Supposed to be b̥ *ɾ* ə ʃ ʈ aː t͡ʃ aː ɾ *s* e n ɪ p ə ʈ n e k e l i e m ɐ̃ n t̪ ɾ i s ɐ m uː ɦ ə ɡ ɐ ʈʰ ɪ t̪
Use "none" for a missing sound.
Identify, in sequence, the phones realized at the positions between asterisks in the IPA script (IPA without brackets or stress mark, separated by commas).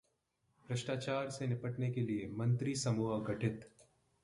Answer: ɾ, s